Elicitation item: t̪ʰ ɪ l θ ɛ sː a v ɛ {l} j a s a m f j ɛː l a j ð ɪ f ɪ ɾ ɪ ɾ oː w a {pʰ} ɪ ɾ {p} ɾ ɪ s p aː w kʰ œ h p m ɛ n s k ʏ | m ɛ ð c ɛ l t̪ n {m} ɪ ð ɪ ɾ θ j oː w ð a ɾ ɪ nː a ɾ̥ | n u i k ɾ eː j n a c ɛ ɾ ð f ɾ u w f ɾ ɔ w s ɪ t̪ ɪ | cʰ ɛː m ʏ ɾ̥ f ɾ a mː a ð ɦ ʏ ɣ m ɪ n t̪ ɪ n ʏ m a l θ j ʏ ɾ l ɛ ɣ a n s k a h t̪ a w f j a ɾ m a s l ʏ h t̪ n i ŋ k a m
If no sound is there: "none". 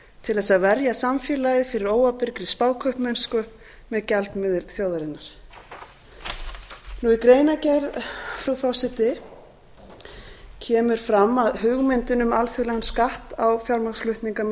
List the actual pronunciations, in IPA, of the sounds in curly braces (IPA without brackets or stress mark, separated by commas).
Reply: ɾ, p, k, m